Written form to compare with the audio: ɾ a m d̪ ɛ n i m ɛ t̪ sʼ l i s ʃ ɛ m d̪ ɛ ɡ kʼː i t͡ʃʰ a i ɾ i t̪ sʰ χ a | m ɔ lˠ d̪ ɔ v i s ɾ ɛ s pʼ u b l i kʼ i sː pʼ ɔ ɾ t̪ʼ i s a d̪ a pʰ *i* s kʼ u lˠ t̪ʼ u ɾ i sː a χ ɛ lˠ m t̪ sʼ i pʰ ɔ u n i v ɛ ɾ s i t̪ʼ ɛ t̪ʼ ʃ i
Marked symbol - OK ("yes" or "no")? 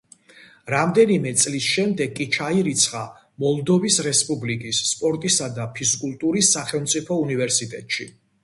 yes